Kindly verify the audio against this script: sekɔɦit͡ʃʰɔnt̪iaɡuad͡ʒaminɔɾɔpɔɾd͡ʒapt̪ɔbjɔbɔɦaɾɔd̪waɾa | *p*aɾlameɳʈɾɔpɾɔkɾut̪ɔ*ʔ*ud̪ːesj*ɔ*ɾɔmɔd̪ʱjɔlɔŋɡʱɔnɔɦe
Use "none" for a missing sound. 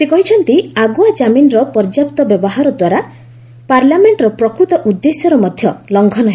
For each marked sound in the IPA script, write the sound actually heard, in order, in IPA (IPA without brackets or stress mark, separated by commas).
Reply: p, ʔ, ɔ